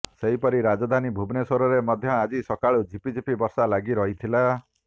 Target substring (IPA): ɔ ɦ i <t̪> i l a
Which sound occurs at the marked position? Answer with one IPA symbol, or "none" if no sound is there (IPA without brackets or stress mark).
t̪ʰ